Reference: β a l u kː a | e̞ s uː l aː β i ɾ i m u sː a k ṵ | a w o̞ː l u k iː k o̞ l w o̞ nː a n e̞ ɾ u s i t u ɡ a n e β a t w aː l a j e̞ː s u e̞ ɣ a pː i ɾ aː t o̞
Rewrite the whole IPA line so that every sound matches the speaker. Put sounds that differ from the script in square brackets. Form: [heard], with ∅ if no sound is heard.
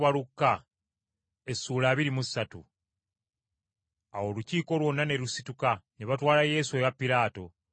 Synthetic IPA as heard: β a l u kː a | e̞ s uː l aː β i ɾ i m u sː a [t] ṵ | a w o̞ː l u [c] iː k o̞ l w o̞ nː a n e̞ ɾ u s i t u [k] a n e β a t w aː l a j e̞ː s u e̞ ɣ a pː i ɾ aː t o̞